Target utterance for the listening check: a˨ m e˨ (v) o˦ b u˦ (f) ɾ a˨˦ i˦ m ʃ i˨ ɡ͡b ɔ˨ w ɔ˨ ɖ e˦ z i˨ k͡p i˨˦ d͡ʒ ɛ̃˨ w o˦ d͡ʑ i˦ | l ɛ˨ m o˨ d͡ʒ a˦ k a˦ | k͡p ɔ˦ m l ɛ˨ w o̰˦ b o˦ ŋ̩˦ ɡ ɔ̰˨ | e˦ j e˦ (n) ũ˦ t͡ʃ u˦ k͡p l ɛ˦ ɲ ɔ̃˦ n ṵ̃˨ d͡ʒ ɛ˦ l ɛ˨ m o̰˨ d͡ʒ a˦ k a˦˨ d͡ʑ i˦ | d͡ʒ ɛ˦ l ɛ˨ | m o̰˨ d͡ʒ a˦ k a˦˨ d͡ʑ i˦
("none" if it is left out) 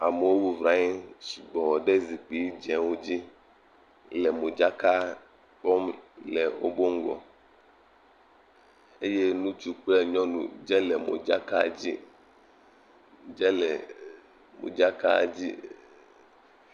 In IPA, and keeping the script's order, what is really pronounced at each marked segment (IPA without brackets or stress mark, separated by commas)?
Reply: w, v, n